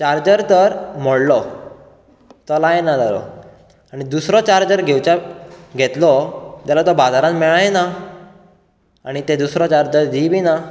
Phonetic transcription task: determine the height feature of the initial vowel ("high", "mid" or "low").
low